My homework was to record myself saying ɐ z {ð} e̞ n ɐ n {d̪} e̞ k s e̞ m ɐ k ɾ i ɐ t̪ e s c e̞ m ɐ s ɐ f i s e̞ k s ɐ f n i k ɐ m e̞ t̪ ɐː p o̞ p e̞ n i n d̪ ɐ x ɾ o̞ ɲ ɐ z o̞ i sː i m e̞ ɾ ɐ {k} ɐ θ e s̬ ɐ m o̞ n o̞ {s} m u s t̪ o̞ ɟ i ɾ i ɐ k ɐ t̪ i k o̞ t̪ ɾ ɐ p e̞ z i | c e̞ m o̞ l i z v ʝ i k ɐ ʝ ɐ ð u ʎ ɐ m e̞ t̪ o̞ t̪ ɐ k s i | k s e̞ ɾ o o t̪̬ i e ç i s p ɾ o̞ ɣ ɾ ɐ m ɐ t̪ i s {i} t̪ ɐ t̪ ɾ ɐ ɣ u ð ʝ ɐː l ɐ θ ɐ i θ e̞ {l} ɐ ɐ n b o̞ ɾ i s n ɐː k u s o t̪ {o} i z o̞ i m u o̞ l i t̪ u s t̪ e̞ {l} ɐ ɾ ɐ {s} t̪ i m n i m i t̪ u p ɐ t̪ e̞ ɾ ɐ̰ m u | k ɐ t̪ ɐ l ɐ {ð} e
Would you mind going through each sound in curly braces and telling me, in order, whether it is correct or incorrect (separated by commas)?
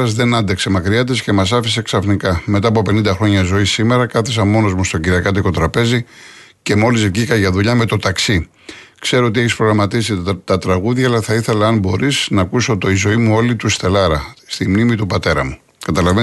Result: correct, correct, correct, incorrect, correct, correct, correct, correct, correct, incorrect